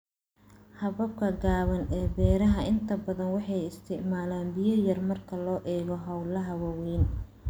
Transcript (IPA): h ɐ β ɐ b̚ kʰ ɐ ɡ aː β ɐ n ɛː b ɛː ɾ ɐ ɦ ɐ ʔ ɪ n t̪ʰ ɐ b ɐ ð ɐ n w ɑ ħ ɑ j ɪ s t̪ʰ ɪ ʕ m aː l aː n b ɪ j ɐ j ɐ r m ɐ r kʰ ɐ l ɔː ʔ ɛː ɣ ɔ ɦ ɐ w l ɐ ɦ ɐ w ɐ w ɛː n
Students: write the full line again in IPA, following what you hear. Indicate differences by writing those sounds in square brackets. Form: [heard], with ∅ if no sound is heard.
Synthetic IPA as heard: h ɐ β ɐ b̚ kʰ ɐ ɡ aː β ɐ n ɛː b ɛː ɾ ɐ ɦ ɐ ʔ ɪ n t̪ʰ ɐ b ɐ ð ɐ n w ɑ ħ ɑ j ɪ s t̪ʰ ɪ ʕ m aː l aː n b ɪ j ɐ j ɐ r m ɐ r kʰ ɐ l ɔː ʔ ɛː ɣ ɔ ɦ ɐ w l ɐ ɦ ɐ w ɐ w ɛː n